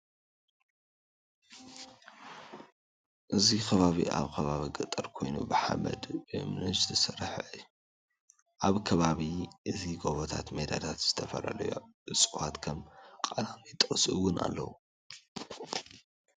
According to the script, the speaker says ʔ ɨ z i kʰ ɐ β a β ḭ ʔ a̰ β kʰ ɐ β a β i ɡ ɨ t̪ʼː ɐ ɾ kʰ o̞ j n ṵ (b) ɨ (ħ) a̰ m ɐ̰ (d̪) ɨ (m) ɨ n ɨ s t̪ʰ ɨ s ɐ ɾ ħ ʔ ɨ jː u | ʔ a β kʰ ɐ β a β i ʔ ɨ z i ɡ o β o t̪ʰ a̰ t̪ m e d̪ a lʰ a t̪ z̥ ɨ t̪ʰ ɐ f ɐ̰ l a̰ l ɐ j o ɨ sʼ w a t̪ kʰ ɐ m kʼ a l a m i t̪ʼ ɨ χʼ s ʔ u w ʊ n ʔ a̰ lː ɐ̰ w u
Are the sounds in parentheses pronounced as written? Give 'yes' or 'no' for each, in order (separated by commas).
yes, yes, yes, yes